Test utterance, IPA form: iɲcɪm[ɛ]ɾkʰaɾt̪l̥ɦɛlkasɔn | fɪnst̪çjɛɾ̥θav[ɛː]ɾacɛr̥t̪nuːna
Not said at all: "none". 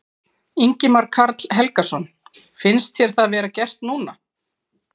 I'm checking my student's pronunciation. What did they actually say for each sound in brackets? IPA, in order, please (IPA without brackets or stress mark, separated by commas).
a, ɛː